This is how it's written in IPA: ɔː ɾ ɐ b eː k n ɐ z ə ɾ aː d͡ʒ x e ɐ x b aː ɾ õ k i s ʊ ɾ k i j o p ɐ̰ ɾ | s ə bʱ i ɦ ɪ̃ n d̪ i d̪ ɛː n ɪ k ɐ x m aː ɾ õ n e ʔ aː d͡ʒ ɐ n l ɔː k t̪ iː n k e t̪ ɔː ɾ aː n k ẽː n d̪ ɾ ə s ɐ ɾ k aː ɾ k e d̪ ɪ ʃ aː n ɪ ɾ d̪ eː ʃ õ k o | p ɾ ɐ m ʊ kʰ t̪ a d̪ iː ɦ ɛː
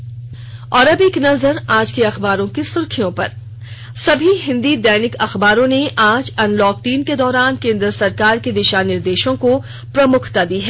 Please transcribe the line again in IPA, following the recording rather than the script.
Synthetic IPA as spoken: ɔː ɾ ɐ b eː k n ɐ z ə ɾ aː d͡ʒ k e ɐ x b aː ɾ õ k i s ʊ ɾ kʰ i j õ p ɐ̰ ɾ | s ɐ bʱ i ɦ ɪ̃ n d̪ i d̪ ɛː n ɪ k ɐ x b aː ɾ õ n e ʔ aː d͡ʒ ɐ n l ɔː k t̪ iː n k e d̪ ɔː ɾ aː n k ẽː n d̪ ɾ ə s ɐ ɾ k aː ɾ k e d̪ ɪ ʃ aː n ɪ ɾ d̪ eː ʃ õ k o | p ɾ ɐ m ʊ kʰ t̪ a d̪ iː ɦ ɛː